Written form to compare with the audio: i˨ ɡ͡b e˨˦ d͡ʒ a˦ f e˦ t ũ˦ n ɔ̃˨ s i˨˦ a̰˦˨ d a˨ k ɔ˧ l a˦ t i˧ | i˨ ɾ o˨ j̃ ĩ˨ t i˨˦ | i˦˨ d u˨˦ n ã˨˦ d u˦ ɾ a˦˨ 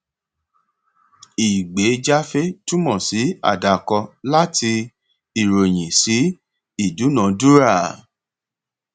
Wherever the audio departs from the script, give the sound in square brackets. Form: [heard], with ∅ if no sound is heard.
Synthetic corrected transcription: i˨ ɡ͡b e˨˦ d͡ʒ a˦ f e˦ t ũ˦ [m] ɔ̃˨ s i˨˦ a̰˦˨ d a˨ k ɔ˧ l a˦ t i˧ | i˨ ɾ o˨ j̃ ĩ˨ [s] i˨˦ | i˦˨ d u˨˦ n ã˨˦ d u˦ ɾ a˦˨